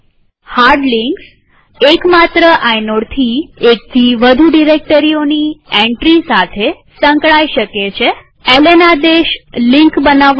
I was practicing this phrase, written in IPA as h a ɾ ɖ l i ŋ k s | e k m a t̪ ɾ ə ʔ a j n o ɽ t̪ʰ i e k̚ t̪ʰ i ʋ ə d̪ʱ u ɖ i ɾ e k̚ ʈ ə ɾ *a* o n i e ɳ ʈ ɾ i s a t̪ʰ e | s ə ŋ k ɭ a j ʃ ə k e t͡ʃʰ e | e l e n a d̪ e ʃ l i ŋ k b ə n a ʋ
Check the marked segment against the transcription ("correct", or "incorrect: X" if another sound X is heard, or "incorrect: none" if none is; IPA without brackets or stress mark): incorrect: i